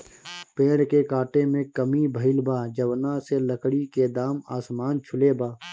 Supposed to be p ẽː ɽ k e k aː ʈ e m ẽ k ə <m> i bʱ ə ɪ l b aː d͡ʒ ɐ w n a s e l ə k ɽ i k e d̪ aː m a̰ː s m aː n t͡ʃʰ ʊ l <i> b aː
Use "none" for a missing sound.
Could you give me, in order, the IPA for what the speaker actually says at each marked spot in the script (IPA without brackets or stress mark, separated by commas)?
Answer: m, e